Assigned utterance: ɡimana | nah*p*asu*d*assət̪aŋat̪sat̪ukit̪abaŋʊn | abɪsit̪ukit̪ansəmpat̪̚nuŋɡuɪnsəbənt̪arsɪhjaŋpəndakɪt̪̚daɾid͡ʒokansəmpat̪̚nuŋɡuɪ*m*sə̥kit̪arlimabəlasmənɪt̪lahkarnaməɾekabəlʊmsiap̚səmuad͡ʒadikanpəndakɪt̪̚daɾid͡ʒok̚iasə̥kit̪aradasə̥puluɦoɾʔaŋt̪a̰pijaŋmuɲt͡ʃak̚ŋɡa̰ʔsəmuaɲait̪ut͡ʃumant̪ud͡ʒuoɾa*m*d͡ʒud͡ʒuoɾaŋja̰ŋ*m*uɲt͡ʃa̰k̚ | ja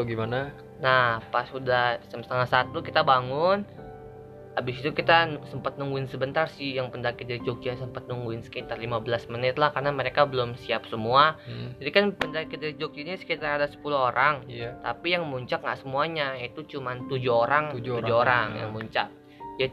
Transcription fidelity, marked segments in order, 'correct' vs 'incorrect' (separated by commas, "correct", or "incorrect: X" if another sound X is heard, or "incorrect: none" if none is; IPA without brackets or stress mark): correct, correct, incorrect: n, incorrect: ŋ, correct